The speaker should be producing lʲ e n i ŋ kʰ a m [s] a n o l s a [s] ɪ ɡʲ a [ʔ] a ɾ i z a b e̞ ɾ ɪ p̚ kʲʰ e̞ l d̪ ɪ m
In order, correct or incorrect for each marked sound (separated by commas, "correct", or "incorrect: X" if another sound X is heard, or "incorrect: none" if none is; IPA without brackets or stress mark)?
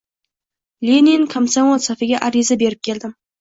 correct, incorrect: f, correct